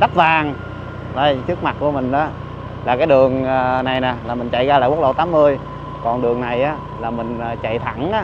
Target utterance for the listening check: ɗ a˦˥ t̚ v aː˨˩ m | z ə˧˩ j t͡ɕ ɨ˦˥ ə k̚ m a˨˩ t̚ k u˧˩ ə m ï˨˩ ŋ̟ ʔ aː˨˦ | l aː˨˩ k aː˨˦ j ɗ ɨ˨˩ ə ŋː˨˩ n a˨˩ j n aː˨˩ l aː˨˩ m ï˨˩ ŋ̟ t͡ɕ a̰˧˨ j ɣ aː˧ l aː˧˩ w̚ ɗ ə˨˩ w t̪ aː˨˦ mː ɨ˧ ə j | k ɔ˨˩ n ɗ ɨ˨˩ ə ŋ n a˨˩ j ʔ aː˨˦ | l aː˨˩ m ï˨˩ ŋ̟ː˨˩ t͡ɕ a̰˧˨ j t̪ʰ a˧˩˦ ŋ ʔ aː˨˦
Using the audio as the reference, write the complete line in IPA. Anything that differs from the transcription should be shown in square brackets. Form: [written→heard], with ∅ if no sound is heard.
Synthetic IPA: ɗ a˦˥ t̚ v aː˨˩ [m→ŋ] | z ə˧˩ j t͡ɕ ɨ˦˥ ə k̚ m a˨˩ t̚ k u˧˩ ə m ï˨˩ ŋ̟ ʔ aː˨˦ | l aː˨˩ k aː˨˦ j ɗ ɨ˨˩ ə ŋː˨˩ n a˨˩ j n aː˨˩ l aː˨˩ m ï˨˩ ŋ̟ t͡ɕ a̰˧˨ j ɣ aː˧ l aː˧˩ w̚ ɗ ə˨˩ w t̪ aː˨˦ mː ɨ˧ ə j | k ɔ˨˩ n ɗ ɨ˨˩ ə ŋ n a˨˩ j ʔ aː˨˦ | l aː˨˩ m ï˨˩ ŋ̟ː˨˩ t͡ɕ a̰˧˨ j t̪ʰ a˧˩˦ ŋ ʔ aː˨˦